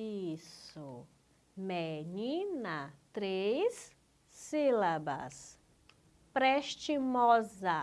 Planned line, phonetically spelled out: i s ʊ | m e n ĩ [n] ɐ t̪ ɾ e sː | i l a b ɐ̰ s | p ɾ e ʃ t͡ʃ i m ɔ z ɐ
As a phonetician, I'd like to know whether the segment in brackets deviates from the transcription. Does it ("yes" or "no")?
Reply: no